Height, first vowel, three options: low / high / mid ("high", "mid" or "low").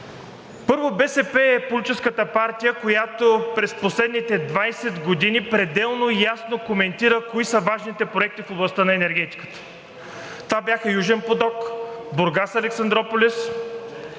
mid